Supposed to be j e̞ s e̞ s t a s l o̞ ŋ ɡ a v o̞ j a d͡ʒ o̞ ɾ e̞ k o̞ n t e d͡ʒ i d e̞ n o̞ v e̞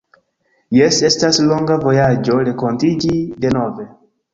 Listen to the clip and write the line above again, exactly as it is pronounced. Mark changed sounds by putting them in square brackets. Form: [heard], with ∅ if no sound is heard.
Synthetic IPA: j e̞ s e̞ s t a s l o̞ ŋ ɡ a v o̞ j a d͡ʒ o̞ ɾ e̞ k o̞ n t [i] d͡ʒ i d e̞ n o̞ v e̞